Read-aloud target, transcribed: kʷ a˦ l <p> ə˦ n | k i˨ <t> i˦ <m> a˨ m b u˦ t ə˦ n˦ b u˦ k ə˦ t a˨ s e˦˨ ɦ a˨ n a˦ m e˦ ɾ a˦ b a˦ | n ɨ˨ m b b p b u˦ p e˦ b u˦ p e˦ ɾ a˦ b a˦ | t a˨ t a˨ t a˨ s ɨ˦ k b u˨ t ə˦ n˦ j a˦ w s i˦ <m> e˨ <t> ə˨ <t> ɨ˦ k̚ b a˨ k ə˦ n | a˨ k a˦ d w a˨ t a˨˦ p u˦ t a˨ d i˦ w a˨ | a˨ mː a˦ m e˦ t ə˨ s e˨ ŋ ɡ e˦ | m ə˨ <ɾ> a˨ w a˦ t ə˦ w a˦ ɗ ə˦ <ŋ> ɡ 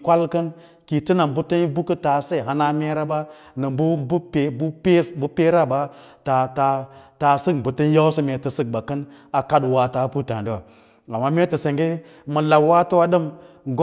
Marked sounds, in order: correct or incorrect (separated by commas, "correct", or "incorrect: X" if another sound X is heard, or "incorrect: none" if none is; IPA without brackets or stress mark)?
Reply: incorrect: k, correct, incorrect: n, correct, correct, incorrect: s, incorrect: l, incorrect: m